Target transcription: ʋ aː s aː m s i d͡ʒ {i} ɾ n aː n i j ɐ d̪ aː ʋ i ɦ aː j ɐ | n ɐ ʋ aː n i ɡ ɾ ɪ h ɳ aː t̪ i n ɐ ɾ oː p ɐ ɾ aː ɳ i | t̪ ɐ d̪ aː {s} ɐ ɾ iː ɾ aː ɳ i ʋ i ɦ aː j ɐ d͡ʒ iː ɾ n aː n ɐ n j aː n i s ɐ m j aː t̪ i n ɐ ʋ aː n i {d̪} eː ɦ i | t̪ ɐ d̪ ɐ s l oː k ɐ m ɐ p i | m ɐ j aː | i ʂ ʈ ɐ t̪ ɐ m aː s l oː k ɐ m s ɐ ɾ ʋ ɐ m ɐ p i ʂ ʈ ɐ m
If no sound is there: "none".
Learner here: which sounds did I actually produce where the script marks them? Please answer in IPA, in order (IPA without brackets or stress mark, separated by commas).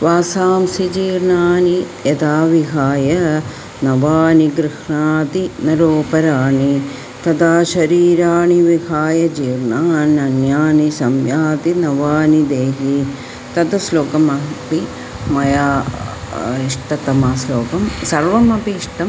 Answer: iː, ʃ, d̪